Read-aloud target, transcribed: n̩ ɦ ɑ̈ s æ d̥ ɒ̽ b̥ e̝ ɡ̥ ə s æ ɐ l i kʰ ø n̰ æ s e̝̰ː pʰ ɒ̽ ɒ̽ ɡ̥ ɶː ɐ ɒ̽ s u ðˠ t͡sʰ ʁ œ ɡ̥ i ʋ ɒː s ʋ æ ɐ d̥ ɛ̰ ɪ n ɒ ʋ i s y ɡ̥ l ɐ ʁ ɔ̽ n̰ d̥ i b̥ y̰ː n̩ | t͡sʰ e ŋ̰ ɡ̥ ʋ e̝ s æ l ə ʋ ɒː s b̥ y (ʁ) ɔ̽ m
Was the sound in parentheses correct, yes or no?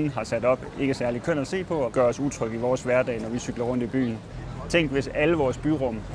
yes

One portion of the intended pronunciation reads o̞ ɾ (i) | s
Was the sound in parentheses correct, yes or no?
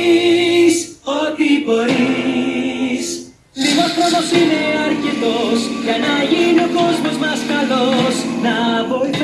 yes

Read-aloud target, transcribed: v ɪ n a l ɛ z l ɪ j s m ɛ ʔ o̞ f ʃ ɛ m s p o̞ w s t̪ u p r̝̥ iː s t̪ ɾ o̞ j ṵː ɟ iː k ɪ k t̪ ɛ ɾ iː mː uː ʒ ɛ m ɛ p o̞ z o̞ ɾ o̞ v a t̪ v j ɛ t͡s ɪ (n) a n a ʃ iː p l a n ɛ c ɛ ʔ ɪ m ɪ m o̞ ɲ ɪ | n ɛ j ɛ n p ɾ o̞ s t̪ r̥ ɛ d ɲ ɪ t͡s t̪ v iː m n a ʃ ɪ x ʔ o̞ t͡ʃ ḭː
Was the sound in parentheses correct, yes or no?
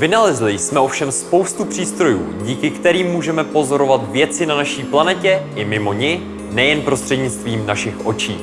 yes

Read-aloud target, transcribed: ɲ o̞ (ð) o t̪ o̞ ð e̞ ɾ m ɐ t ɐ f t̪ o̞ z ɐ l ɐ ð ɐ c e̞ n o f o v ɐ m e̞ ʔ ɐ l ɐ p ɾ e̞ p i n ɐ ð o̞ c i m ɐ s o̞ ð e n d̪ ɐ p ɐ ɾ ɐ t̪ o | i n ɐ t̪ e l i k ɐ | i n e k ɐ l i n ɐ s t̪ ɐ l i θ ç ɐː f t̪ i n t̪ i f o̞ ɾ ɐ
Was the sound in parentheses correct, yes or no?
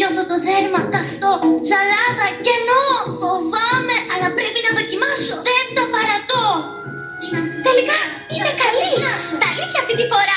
no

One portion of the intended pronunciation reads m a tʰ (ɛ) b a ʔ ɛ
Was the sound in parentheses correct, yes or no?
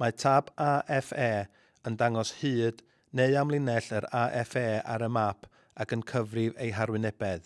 no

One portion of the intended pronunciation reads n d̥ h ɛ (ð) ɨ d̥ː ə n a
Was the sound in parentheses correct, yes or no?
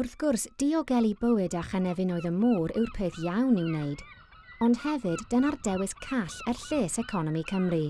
no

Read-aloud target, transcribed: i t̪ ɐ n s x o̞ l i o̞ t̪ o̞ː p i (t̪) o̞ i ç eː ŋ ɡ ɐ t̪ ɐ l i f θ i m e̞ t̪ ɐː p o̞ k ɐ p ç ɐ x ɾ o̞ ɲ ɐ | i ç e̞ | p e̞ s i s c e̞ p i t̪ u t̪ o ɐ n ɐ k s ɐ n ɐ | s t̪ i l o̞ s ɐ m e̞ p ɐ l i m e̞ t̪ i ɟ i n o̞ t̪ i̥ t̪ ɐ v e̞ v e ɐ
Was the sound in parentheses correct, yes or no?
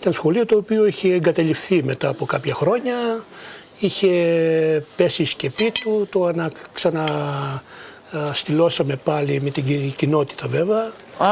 no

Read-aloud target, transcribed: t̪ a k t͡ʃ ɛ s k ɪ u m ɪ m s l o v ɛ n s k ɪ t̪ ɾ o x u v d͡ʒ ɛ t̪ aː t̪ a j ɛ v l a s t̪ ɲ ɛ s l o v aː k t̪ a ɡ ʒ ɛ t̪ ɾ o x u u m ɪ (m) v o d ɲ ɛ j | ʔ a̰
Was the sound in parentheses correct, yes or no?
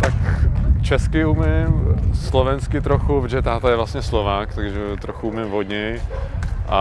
yes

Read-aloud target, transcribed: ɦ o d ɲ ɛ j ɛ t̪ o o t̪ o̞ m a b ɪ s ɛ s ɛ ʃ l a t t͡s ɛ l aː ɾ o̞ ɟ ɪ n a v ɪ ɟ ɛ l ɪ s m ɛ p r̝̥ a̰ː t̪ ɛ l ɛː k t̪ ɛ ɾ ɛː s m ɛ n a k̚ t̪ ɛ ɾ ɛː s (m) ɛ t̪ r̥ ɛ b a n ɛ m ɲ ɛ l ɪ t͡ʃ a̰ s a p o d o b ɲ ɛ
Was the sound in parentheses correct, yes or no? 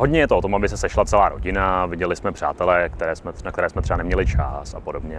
yes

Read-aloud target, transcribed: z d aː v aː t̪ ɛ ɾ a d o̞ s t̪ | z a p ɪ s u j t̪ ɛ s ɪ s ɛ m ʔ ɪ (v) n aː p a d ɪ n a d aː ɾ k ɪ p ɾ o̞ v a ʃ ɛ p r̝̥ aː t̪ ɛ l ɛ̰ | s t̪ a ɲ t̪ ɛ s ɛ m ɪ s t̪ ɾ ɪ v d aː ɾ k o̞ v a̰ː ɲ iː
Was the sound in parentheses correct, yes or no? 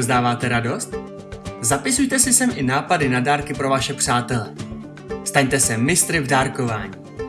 no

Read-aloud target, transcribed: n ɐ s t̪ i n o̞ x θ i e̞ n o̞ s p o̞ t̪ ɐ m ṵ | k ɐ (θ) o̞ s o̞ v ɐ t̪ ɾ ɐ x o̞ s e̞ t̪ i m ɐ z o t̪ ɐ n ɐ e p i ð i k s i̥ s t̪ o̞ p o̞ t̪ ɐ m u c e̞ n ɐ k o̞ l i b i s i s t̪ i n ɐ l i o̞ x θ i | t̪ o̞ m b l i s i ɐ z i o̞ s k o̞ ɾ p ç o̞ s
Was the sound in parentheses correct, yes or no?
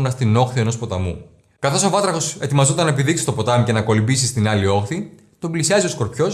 yes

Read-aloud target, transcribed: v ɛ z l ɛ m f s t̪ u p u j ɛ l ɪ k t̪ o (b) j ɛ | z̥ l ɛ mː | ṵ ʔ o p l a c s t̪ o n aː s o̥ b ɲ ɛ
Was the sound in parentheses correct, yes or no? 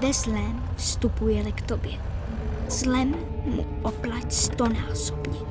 yes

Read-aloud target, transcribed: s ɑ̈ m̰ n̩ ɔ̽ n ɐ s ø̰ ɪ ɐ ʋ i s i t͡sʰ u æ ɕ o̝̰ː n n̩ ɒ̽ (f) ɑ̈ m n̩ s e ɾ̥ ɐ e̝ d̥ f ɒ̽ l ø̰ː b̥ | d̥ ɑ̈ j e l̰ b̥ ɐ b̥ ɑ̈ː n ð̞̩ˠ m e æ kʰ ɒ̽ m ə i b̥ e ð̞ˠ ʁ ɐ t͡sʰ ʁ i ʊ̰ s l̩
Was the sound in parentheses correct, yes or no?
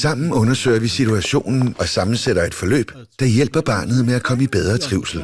no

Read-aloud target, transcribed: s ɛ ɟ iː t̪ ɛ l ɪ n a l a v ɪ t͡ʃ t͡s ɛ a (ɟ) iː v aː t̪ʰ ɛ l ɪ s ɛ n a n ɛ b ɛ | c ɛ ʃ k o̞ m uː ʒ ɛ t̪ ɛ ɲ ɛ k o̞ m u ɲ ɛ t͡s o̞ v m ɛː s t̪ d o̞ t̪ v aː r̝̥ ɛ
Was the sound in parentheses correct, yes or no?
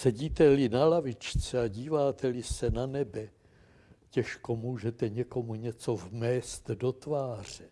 yes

